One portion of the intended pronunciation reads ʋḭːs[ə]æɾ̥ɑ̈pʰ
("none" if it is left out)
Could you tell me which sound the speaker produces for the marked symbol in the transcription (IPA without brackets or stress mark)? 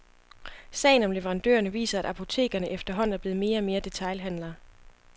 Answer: ɐ